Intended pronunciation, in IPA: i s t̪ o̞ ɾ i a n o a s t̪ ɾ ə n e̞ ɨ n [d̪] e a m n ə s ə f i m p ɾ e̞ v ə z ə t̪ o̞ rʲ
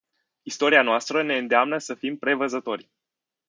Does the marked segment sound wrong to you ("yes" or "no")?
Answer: no